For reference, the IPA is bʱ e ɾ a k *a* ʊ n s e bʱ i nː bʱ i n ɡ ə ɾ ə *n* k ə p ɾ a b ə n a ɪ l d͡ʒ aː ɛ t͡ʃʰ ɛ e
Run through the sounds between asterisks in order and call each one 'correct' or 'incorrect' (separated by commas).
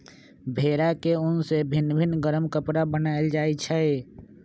incorrect, incorrect